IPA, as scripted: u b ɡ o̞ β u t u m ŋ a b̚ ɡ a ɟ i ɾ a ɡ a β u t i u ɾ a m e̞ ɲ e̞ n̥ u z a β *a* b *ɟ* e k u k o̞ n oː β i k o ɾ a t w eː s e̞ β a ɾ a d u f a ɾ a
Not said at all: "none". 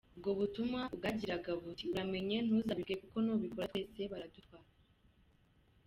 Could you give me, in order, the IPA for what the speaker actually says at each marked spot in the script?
i, ɡ

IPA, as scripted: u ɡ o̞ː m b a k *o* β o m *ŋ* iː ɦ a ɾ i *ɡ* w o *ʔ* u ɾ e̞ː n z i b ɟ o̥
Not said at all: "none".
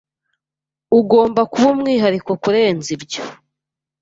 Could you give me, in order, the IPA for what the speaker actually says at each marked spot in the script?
u, ŋ, k, k

